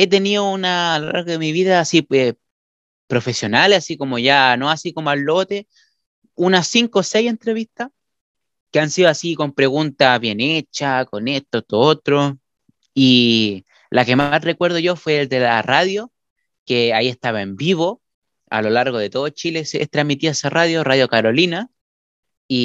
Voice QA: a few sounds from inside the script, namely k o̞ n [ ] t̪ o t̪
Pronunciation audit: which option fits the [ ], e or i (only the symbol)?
e